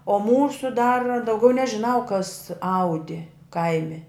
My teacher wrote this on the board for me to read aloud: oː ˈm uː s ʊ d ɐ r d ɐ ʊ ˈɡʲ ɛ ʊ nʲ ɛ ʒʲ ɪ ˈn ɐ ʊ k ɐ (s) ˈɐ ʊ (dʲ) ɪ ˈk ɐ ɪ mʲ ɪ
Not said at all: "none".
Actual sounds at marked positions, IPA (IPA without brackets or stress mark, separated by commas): s, dʲ